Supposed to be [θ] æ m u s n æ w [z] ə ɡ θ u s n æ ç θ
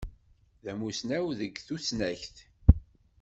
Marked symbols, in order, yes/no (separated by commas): no, no